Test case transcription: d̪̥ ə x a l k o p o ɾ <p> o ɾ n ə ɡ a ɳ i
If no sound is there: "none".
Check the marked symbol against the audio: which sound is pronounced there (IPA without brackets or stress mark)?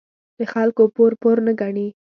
p